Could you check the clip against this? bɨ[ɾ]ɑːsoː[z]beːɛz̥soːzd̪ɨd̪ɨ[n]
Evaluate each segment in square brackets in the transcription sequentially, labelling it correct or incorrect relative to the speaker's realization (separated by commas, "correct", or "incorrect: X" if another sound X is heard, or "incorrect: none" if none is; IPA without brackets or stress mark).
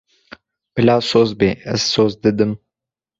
incorrect: l, correct, incorrect: m